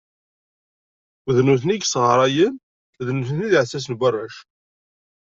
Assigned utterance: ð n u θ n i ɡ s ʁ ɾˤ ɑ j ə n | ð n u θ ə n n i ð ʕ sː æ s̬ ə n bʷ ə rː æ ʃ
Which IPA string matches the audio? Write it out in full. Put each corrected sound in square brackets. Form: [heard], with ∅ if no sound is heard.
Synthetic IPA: ð n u θ n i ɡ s ʁ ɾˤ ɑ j ə n | ð n u θ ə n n i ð ʕ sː æ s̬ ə n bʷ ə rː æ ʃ